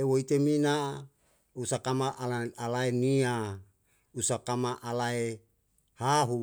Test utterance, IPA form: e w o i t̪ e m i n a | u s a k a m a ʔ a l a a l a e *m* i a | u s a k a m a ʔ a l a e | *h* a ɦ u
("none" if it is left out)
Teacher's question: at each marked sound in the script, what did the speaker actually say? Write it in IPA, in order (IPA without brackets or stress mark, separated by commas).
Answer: n, h